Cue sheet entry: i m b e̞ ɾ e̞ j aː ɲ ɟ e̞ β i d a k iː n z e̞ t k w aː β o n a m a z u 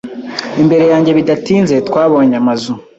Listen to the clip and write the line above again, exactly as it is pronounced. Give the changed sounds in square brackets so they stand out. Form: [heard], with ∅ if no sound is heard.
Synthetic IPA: i m b e̞ ɾ e̞ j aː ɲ ɟ e̞ β i d a [t] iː n z e̞ t k w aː β o [ɲ] a m a z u